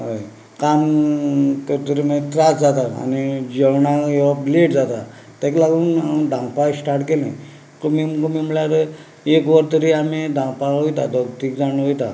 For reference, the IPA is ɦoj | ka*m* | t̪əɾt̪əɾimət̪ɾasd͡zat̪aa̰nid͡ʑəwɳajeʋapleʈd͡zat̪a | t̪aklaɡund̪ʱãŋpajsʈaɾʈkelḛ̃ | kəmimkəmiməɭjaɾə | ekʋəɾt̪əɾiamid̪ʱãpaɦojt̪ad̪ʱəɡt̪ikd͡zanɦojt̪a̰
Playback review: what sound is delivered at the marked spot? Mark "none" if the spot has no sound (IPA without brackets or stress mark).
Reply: m